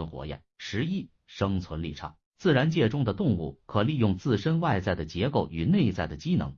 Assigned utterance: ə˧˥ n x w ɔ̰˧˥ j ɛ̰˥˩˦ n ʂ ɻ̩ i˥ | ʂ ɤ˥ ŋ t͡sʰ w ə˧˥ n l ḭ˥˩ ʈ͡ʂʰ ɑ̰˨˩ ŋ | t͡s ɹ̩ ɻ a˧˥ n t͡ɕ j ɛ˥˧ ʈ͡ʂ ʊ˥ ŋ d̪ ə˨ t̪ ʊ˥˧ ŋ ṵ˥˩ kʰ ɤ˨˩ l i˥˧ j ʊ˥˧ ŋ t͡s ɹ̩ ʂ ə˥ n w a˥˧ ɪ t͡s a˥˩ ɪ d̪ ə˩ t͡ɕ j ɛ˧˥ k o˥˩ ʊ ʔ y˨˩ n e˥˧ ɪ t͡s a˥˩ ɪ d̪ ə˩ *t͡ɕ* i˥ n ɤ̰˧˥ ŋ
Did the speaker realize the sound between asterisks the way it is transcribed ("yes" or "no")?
yes